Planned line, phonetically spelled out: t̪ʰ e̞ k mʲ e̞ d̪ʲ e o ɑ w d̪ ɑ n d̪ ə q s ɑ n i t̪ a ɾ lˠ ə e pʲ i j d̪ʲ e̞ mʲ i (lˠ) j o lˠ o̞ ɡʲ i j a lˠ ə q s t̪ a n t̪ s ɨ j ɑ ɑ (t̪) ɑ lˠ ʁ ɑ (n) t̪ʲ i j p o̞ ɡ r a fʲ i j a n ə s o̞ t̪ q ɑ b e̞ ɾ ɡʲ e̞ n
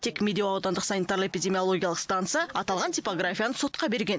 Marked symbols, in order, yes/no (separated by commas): no, yes, yes